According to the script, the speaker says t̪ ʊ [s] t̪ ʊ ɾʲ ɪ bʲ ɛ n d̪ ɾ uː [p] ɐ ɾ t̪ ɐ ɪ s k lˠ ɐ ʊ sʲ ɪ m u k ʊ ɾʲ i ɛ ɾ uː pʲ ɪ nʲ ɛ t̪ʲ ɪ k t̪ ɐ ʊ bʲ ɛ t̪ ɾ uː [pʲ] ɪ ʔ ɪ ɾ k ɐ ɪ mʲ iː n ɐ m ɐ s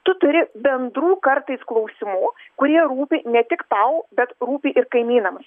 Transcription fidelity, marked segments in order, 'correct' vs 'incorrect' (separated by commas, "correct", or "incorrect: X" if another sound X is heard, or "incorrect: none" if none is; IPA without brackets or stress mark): incorrect: none, incorrect: k, correct